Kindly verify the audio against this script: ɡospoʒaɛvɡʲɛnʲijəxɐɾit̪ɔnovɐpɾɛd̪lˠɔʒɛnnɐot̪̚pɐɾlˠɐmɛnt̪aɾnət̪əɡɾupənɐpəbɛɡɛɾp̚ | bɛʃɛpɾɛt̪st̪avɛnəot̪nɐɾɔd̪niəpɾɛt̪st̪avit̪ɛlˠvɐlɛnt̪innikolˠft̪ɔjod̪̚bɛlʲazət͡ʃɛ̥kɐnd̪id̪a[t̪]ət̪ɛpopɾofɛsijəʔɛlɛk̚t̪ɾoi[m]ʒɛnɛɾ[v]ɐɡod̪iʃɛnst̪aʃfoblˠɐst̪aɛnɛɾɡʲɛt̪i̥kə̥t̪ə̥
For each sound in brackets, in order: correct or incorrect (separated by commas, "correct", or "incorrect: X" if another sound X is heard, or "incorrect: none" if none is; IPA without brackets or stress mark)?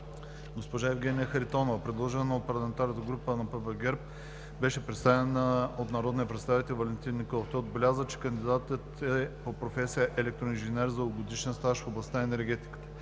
correct, incorrect: n, incorrect: z